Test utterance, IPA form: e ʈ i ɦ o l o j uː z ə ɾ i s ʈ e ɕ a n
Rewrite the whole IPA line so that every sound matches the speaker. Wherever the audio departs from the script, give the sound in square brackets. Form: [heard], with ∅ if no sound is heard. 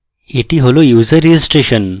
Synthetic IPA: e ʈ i ɦ o l o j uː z ə ɾ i s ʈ e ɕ [ə] n